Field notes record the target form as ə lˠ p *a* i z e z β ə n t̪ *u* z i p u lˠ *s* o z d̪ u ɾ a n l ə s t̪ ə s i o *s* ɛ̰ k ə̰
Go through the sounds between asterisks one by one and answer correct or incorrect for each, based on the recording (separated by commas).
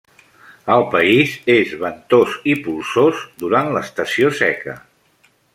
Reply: incorrect, incorrect, correct, correct